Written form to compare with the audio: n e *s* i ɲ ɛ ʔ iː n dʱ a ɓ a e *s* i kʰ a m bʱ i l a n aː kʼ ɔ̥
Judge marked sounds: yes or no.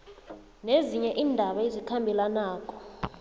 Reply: no, no

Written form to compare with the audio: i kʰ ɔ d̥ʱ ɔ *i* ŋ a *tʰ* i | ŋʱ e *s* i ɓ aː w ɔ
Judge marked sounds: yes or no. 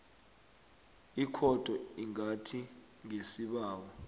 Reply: yes, yes, yes

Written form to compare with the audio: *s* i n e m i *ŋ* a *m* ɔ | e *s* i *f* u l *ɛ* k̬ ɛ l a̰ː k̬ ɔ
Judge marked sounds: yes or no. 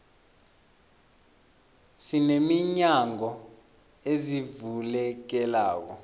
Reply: yes, no, no, no, no, yes

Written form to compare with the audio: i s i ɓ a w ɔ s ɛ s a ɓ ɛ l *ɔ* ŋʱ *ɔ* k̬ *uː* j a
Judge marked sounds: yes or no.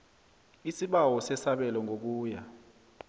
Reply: yes, no, yes

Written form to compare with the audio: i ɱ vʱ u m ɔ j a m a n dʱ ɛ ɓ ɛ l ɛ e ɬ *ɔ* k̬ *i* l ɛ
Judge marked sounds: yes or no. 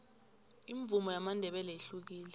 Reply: no, no

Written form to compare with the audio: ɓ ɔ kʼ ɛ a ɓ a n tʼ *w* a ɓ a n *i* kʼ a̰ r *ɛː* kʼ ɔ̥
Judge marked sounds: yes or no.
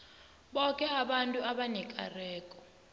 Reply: no, no, yes

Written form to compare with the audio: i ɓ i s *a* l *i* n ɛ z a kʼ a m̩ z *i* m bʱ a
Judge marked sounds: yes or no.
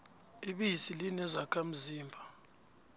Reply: no, yes, no

